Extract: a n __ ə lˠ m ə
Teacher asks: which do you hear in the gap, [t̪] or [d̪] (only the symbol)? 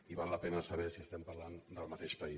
d̪